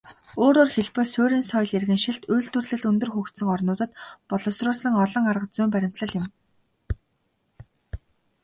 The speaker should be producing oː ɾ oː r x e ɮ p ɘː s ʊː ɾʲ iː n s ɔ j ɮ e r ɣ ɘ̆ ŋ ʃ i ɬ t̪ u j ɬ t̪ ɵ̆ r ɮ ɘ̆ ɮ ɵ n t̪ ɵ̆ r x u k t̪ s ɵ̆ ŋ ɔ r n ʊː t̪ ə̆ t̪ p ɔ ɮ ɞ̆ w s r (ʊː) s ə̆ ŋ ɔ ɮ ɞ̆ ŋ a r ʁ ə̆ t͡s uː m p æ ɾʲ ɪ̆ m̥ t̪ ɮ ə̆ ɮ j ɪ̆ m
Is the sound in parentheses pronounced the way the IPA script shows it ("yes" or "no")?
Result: yes